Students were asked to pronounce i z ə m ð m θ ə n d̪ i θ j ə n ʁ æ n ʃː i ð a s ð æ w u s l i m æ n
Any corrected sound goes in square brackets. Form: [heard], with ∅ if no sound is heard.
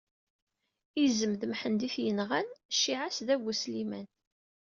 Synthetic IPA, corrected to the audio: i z ə m ð m [ħ] ə n d̪ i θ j ə n ʁ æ n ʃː i [ʕ] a s ð æ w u s l i m æ n